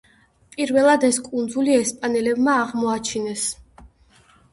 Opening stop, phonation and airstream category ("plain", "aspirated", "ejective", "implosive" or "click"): ejective